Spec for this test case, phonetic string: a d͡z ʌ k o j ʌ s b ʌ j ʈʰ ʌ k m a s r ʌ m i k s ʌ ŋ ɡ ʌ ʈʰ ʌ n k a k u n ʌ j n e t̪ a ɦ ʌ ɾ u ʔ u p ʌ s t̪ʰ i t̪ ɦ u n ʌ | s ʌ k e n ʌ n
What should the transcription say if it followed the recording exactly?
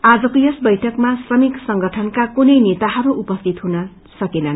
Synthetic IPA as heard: a d͡z ʌ k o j ʌ s b ʌ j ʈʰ ʌ k m a s r ʌ m i k s ʌ ŋ ɡ ʌ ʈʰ ʌ n k a k u n ʌ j n e t̪ a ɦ ʌ ɾ u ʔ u p ʌ s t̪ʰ i t̪ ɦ u n ʌ | s ʌ k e n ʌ n